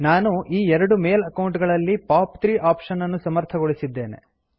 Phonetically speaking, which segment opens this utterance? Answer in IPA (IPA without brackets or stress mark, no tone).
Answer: n